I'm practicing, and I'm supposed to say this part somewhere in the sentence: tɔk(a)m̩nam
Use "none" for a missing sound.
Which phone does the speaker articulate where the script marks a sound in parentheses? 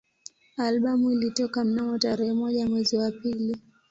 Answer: a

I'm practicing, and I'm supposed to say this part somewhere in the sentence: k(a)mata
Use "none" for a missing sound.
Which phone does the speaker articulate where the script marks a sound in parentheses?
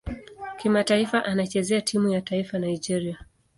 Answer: i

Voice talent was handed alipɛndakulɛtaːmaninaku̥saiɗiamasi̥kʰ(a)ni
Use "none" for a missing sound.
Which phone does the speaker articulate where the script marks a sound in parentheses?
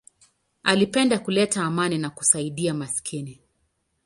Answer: i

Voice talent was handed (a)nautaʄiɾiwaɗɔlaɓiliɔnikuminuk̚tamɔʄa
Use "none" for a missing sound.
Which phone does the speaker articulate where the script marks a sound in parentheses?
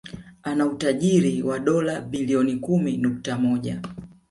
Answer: a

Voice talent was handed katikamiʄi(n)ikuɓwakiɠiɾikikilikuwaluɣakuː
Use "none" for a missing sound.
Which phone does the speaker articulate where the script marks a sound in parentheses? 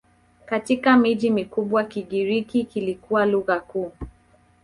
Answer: m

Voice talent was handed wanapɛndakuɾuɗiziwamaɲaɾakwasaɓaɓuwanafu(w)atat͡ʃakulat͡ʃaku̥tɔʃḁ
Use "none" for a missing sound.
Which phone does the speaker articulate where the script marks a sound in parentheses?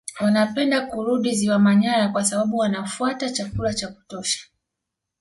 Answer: none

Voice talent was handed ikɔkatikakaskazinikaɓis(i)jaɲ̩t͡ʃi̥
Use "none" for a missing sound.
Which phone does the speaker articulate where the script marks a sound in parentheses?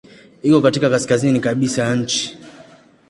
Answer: a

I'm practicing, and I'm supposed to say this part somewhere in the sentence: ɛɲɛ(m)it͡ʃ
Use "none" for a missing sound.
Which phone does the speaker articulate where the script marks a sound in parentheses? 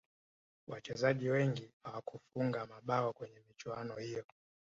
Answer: m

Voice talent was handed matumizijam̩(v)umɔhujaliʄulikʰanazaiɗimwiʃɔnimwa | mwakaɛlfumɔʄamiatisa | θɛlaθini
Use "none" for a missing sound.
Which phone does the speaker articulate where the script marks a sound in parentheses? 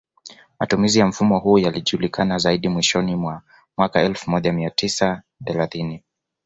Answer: f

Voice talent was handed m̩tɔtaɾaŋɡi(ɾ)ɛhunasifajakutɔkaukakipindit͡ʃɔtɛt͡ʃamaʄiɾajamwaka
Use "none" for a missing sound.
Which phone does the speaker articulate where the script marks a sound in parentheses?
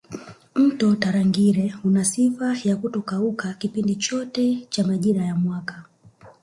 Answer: ɾ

